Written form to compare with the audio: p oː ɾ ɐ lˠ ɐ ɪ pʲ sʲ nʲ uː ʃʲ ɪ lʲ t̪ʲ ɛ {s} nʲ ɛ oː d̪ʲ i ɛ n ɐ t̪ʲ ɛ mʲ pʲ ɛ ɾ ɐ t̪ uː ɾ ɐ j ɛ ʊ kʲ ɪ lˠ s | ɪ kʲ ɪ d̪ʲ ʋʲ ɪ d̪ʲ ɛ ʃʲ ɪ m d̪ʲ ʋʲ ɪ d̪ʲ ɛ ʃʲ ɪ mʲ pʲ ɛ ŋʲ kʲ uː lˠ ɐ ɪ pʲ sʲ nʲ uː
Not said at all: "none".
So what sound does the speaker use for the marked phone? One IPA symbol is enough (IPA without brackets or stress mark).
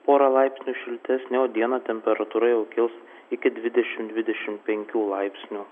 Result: s